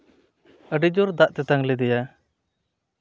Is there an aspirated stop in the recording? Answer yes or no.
no